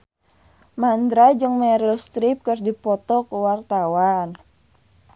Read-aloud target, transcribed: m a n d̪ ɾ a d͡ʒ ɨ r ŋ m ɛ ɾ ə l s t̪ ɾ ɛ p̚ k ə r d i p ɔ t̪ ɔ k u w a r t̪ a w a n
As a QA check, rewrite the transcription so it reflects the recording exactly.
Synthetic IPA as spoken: m a n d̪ ɾ a d͡ʒ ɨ ŋ m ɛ ɾ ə l s t̪ ɾ i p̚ k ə r d i p ɔ t̪ ɔ k u w a r t̪ a w a n